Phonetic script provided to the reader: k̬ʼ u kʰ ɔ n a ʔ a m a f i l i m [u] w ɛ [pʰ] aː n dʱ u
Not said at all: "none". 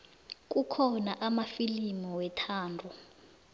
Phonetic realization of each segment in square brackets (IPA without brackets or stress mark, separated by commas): ɔ, tʰ